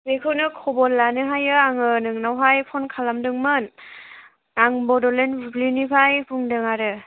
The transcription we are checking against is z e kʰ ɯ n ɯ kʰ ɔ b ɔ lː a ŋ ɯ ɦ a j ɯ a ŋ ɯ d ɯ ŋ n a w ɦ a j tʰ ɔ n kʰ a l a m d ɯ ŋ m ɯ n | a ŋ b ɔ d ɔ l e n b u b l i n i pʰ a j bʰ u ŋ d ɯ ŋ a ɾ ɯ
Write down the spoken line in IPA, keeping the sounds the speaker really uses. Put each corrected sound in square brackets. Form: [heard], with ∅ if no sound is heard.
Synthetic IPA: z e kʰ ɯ n ɯ kʰ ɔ b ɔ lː a [n] ɯ ɦ a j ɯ a ŋ ɯ [n] ɯ ŋ n a w ɦ a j [pʰ] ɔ n kʰ a l a m d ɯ ŋ m ɯ n | a ŋ b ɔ d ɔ l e n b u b l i n i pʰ a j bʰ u ŋ d ɯ ŋ a ɾ ɯ